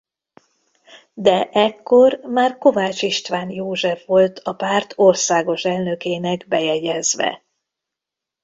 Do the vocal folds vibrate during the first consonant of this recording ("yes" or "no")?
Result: yes